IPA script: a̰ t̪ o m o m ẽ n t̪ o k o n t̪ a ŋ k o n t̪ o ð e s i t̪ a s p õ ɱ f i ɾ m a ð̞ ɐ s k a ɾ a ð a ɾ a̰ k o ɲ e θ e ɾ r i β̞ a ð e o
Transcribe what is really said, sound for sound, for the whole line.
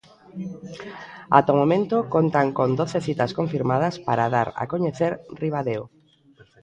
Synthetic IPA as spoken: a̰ t̪ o m o m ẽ n t̪ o k o n t̪ a ŋ k o n d̪ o θ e θ i t̪ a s k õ ɱ f i ɾ m a ð̞ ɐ s p a ɾ a ð a ɾ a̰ k o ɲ e θ e ɾ r i β̞ a ð e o